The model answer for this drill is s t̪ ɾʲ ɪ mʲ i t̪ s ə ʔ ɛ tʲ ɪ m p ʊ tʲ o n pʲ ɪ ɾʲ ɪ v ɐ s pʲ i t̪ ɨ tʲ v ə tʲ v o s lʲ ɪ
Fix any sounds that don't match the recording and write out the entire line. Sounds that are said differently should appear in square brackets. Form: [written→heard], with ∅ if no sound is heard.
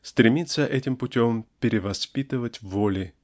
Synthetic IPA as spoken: s t̪ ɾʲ ɪ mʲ i t̪ s ə ʔ ɛ tʲ ɪ m p ʊ tʲ o [n→m] pʲ ɪ ɾʲ ɪ v ɐ s pʲ i t̪ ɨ [tʲ→∅] v ə tʲ v o [s→∅] lʲ ɪ